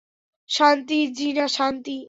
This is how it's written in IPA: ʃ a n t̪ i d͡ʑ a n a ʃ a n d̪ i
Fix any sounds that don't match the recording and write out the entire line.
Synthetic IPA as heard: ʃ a n t̪ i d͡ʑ i n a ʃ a n t̪ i